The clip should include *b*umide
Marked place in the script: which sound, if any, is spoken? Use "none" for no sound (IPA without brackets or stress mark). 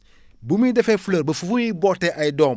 b